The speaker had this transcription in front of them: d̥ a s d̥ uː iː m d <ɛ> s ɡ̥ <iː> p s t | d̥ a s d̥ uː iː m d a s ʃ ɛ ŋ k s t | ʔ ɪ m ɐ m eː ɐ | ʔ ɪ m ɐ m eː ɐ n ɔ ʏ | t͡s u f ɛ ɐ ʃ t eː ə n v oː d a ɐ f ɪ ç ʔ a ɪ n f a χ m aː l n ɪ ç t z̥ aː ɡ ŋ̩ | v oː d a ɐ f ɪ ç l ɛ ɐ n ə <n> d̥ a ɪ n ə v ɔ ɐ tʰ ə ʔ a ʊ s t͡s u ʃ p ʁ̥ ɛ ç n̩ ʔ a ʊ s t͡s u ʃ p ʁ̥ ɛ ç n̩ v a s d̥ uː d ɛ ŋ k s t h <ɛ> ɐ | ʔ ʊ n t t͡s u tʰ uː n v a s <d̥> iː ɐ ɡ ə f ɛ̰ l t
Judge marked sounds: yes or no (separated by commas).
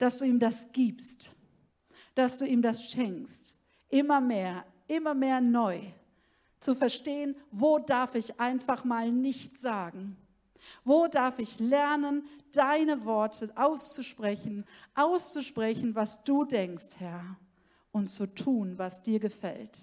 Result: no, yes, yes, yes, yes